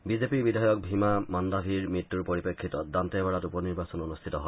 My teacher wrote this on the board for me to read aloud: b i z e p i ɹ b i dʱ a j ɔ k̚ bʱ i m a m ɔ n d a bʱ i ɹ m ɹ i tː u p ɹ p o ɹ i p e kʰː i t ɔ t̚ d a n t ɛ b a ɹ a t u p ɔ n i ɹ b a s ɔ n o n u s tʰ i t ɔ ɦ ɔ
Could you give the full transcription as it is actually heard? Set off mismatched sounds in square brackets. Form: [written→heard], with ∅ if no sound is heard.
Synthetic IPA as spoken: b i z e p i ɹ b i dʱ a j ɔ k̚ bʱ i m a m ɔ n d a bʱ i ɹ m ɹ i tː u [p→∅] ɹ p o ɹ i p e kʰː i t ɔ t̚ d a n t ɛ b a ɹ a t u p ɔ n i ɹ b a s ɔ n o n u s tʰ i t ɔ ɦ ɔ